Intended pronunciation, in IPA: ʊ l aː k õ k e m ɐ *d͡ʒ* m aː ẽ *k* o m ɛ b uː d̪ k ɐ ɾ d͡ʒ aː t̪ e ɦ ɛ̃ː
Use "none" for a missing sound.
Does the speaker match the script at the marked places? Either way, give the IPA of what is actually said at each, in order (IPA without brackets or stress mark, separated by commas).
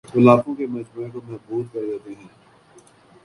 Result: d͡ʒ, k